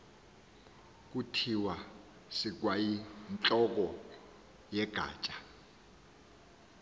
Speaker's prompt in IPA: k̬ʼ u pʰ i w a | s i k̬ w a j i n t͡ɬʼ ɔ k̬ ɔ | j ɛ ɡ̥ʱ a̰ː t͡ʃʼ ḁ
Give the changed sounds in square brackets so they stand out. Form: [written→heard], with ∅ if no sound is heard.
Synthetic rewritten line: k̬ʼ u [pʰ→tʰ] i w a | s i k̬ w a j i n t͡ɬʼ ɔ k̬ ɔ | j ɛ ɡ̥ʱ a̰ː t͡ʃʼ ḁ

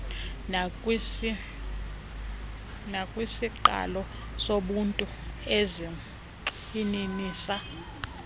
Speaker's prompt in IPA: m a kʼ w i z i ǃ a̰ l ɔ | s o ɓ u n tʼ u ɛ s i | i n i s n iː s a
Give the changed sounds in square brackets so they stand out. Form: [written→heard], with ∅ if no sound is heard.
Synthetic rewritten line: [m→n] a kʼ w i [z→s] i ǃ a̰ l ɔ | s o ɓ u n tʼ u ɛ [s→z] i | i n i [s→∅] n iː s a

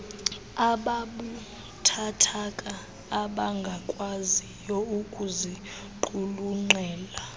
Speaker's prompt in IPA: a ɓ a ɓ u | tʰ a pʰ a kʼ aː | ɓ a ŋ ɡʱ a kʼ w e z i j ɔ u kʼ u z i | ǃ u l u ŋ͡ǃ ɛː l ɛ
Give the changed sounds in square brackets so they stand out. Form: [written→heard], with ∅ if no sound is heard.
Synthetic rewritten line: a ɓ a ɓ u | tʰ a [pʰ→tʰ] a kʼ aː | ɓ a ŋ ɡʱ a kʼ w [e→a] z i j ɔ u kʼ u z i | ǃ u l u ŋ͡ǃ ɛː l [ɛ→a]

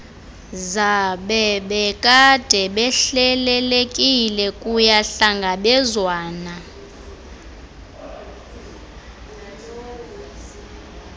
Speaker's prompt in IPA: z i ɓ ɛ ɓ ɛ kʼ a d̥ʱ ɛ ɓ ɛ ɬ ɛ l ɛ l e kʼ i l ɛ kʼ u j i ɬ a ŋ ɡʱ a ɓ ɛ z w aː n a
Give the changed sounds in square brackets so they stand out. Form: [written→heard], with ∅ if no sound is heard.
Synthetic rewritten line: z [i→a] ɓ ɛ ɓ ɛ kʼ a d̥ʱ ɛ ɓ ɛ ɬ ɛ l ɛ l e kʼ i l ɛ kʼ u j [i→a] ɬ a ŋ ɡʱ a ɓ ɛ z w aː n a

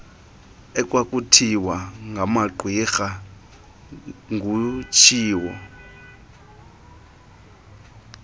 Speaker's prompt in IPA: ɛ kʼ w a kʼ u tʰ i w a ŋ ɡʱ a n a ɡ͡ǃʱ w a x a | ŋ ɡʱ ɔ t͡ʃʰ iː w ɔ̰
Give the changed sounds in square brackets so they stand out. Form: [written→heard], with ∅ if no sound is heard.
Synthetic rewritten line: ɛ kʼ w a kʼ u tʰ i w a ŋ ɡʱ a [n→m] a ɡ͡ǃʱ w [a→i] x a | ŋ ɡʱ [ɔ→u] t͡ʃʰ iː w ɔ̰

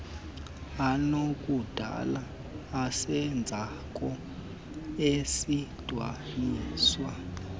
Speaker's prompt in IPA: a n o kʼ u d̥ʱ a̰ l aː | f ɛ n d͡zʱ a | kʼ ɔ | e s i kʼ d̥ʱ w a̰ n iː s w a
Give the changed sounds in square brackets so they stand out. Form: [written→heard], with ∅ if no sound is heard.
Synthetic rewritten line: a n o kʼ u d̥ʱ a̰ l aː | [f→s] ɛ n d͡zʱ a | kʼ ɔ | e s i [kʼ→∅] d̥ʱ w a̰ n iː s w a

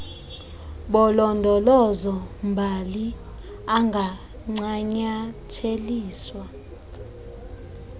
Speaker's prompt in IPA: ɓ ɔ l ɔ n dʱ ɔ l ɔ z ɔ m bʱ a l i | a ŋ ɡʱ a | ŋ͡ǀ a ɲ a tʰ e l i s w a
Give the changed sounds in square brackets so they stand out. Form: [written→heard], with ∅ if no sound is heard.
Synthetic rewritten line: ɓ ɔ l ɔ n dʱ ɔ l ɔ z ɔ m bʱ a l i | a ŋ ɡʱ a | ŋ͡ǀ a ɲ a tʰ e l [i→iː] s w a

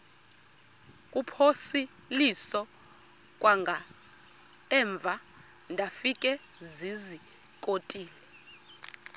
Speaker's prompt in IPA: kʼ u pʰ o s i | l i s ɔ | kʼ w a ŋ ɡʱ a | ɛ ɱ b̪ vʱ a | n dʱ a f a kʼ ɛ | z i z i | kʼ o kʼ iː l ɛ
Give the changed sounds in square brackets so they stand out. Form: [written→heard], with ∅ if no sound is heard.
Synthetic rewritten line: kʼ u pʰ o s i | l i s ɔ | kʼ w a ŋ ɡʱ a | ɛ ɱ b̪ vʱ a | n dʱ a f [a→i] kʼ ɛ | z i z i | kʼ o [kʼ→tʼ] iː l ɛ

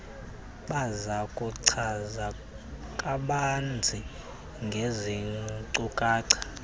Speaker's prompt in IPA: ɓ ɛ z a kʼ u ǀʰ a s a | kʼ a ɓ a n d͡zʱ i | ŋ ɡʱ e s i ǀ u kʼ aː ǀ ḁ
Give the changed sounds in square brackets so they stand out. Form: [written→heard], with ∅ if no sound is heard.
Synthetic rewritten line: ɓ [ɛ→a] z a kʼ u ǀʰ a [s→z] a | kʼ a ɓ a n d͡zʱ i | ŋ ɡʱ e [s→z] i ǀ u kʼ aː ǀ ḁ

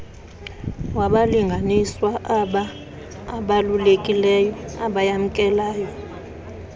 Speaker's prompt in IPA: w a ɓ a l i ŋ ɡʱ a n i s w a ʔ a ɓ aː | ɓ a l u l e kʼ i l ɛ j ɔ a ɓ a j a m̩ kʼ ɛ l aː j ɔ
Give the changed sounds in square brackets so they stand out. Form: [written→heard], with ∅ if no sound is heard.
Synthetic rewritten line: w a ɓ a l i ŋ ɡʱ a n i s w a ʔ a ɓ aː | ɓ a l u l e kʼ i l ɛ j ɔ a ɓ a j a m̩ kʼ ɛ l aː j ɔ

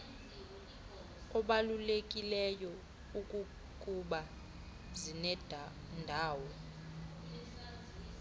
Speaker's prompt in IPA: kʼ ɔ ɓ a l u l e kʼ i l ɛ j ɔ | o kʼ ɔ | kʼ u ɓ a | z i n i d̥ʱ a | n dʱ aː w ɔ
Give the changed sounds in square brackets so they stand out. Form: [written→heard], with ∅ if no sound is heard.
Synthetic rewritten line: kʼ ɔ ɓ a l u l e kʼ i l ɛ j ɔ | [o→u] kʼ [ɔ→u] | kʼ u ɓ a | z i n [i→ɛ] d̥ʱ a | n dʱ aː w ɔ

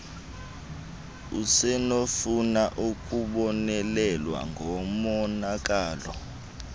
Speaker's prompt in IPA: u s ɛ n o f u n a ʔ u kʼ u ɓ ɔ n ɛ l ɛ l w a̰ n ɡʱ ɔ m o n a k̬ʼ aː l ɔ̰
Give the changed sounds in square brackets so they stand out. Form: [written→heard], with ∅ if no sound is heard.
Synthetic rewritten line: u s ɛ n o f u n a ʔ u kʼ u ɓ ɔ n ɛ l ɛ l w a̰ [n→ŋ] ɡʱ ɔ m [o→ɔ] n a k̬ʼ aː l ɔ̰

